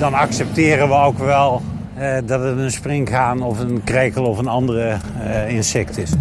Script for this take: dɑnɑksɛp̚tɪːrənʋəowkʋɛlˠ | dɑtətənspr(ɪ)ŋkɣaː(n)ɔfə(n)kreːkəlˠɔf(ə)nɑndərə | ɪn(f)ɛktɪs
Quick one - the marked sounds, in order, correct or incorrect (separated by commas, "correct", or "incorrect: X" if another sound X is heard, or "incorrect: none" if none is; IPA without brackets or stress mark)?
correct, correct, correct, correct, incorrect: s